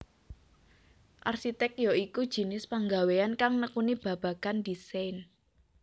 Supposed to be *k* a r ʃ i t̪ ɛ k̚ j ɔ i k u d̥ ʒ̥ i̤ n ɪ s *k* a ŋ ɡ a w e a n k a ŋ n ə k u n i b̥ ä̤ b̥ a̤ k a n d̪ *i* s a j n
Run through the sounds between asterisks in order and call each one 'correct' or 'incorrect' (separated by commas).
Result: incorrect, incorrect, correct